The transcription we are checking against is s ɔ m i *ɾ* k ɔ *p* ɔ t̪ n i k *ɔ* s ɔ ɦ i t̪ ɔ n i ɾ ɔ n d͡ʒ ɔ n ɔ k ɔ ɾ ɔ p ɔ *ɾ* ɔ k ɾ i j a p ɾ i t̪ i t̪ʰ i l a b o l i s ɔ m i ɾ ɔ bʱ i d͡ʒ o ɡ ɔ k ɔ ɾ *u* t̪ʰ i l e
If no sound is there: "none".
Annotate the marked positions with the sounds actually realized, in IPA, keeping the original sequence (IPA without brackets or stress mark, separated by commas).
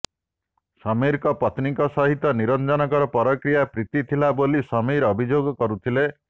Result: ɾ, p, ɔ, ɾ, u